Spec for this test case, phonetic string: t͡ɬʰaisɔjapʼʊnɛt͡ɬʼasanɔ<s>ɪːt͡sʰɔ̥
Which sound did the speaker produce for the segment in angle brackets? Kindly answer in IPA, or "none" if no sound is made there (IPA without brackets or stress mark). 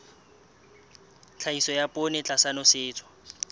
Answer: s